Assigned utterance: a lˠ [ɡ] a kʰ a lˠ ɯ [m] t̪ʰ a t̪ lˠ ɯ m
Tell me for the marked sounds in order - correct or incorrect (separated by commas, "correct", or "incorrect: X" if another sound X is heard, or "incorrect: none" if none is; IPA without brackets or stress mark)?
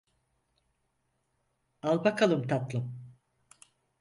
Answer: incorrect: b, correct